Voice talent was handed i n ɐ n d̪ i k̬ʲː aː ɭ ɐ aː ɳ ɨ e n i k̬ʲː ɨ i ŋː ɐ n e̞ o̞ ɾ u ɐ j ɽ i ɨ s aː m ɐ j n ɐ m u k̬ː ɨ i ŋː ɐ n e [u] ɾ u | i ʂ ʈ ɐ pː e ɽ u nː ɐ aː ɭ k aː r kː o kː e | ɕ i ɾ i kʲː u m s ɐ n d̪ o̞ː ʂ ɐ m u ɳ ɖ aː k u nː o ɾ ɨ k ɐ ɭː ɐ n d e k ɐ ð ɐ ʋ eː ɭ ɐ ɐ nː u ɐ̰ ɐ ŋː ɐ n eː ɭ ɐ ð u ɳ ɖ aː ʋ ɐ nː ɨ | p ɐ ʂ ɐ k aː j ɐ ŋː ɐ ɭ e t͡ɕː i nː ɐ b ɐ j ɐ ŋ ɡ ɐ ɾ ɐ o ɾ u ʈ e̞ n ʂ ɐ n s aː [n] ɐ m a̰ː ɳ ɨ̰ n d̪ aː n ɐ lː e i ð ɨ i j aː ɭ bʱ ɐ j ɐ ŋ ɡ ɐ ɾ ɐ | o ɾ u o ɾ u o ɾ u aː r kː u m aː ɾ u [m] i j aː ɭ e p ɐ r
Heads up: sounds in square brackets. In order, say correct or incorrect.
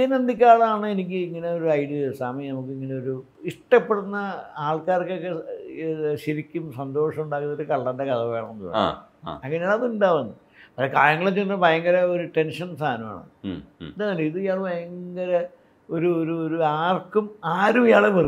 incorrect: o, correct, correct

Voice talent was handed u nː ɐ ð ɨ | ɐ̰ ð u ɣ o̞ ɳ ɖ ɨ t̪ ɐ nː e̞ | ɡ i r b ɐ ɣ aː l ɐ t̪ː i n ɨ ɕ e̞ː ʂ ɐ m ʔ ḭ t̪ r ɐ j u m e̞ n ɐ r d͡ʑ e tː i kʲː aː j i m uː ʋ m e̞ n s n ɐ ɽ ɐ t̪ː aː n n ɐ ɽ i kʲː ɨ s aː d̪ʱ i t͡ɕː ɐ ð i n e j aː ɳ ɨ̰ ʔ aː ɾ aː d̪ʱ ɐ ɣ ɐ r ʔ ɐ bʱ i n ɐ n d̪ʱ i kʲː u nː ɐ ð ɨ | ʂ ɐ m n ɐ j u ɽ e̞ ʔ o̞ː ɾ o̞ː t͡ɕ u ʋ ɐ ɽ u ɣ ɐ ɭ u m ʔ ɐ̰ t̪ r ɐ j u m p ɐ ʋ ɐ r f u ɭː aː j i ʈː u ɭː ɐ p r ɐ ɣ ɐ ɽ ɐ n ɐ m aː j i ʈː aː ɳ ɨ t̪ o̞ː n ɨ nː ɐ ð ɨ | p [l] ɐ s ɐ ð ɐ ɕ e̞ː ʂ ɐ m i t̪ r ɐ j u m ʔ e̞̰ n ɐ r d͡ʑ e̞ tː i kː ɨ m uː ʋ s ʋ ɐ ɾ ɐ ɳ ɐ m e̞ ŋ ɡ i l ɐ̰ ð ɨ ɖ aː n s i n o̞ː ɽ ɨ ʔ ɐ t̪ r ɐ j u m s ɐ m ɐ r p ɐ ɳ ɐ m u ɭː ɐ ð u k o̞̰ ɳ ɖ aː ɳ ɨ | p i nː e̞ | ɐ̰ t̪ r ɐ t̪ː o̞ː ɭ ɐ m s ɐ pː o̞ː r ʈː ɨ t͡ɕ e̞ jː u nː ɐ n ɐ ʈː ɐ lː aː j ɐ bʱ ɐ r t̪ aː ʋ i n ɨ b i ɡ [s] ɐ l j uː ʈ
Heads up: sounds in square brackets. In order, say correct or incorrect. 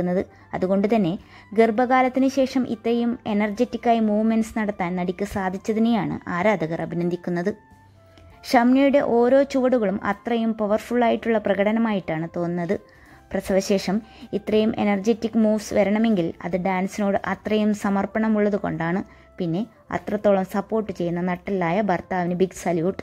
incorrect: r, correct

